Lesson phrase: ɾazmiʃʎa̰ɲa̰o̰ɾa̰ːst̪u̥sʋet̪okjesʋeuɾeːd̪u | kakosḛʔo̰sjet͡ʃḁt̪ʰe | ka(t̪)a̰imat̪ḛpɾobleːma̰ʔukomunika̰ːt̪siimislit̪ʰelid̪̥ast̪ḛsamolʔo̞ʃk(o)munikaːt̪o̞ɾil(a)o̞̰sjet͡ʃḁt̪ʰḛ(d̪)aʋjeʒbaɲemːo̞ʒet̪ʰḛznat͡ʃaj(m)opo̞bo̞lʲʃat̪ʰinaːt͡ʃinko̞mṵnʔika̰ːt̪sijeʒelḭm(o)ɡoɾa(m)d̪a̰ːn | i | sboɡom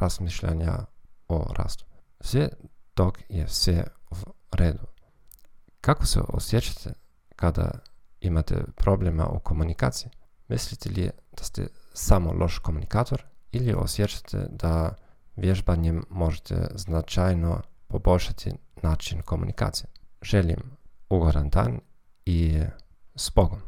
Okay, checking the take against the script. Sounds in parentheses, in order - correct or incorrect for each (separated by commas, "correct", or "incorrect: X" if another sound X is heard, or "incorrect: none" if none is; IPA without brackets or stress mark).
incorrect: d̪, correct, incorrect: i, correct, incorrect: n, incorrect: u, incorrect: n